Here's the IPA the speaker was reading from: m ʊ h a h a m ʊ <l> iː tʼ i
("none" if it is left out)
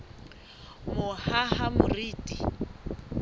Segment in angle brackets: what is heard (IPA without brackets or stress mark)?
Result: r